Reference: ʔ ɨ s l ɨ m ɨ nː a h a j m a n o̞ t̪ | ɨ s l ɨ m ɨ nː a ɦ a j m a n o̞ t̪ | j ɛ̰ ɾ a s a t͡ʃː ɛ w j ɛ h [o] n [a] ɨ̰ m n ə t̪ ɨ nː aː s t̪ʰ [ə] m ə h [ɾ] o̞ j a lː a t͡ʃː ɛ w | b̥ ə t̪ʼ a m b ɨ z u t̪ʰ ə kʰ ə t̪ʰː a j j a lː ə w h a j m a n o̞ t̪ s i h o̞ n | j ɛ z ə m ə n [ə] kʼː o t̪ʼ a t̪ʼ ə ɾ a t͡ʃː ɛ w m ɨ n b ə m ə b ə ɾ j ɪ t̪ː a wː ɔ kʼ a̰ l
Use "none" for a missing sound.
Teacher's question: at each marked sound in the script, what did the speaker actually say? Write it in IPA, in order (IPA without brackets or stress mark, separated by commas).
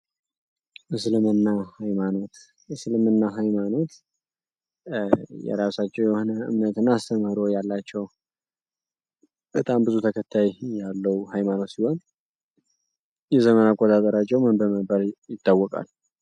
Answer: o, ə, ə, ɾ, a